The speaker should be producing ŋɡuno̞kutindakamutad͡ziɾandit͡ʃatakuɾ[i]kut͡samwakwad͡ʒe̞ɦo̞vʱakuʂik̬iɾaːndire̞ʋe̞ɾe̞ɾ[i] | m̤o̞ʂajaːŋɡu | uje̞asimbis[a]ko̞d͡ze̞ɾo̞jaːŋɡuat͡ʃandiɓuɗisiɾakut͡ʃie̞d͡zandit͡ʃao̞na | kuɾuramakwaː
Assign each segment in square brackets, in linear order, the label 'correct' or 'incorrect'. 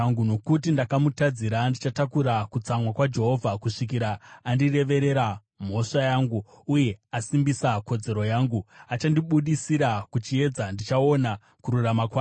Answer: incorrect, incorrect, correct

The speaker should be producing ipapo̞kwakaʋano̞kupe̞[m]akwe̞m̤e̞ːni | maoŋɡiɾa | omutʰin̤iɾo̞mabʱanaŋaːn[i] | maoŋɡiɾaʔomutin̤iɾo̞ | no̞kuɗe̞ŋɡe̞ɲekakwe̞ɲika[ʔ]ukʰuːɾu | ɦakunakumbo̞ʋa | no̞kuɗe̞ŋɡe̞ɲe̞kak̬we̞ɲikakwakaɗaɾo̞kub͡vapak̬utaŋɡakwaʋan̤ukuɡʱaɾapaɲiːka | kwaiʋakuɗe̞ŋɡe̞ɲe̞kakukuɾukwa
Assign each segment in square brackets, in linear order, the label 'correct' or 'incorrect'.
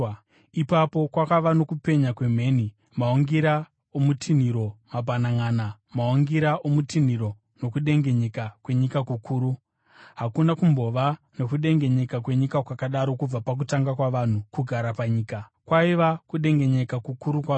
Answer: incorrect, incorrect, incorrect

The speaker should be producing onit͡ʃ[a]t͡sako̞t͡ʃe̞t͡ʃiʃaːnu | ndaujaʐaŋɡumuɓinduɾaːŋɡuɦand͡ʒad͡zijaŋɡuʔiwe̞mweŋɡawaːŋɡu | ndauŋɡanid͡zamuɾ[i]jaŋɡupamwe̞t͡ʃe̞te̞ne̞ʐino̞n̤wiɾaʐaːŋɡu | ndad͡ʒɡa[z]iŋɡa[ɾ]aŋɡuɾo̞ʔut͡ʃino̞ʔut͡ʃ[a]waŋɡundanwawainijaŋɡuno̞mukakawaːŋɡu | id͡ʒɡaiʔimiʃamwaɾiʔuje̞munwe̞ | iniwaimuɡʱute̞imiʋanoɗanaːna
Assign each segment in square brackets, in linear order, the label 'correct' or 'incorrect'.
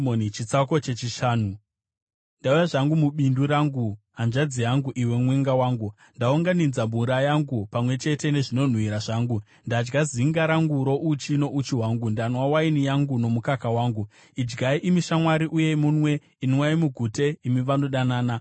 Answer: incorrect, incorrect, correct, correct, incorrect

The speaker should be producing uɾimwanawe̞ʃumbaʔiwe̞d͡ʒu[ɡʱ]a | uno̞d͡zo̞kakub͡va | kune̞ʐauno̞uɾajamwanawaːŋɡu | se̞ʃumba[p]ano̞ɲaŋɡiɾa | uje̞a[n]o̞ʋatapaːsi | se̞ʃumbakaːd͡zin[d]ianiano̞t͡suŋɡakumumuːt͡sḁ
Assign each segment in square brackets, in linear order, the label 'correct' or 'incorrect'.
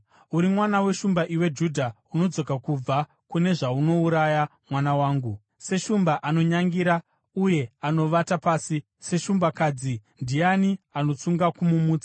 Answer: incorrect, incorrect, correct, correct

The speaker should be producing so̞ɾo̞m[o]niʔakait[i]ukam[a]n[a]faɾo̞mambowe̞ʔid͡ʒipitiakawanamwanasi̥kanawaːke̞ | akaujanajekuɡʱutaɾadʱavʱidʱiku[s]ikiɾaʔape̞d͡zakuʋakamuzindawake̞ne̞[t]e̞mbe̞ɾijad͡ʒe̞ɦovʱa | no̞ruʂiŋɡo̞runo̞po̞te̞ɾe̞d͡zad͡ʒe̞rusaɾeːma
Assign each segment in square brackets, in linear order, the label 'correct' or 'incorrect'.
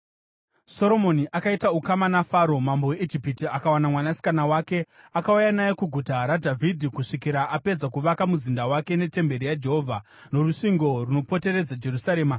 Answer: correct, incorrect, correct, correct, incorrect, correct

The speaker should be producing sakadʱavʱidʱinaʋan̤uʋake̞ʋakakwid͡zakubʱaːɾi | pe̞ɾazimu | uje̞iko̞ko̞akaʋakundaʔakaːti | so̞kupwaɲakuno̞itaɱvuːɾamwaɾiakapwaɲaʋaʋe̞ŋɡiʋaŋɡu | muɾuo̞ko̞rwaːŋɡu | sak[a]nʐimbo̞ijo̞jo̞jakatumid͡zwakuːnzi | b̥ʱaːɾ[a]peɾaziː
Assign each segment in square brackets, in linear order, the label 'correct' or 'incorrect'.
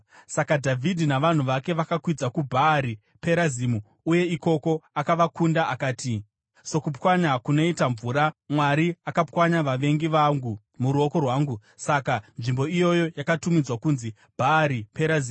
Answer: correct, incorrect

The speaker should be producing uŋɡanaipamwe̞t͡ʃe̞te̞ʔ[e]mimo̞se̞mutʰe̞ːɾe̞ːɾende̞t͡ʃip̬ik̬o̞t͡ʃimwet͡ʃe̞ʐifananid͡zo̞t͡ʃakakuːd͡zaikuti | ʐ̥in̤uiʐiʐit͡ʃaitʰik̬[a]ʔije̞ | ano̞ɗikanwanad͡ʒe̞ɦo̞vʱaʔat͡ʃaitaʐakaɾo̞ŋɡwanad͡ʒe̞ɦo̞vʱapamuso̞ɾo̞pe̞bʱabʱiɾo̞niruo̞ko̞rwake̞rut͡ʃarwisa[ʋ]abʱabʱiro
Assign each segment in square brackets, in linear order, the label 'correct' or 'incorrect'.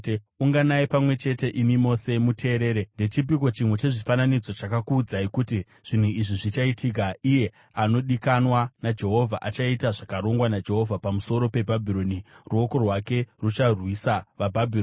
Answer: incorrect, correct, correct

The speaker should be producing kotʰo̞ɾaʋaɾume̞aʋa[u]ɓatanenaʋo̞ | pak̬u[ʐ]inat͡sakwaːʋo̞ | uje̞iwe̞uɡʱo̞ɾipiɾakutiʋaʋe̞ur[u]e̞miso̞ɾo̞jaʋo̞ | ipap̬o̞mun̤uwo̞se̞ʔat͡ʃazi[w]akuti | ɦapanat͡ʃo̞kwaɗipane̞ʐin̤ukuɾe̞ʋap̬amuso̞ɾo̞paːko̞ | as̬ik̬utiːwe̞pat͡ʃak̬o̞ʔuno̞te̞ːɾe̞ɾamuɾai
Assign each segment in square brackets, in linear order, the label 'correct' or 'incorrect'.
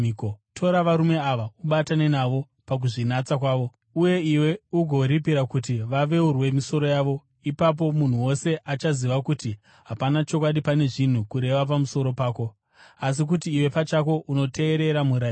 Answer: correct, correct, incorrect, incorrect

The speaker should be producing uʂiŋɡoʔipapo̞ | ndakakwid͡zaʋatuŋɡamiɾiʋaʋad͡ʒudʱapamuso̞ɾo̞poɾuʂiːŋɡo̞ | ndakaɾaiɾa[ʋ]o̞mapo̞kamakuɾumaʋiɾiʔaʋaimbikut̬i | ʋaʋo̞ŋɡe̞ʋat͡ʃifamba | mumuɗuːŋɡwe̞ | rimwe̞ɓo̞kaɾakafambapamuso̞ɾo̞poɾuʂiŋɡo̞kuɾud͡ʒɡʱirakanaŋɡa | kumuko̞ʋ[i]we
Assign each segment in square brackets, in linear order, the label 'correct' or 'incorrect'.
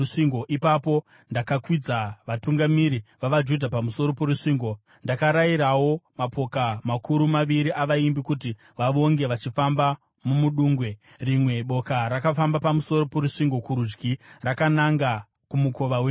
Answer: incorrect, incorrect

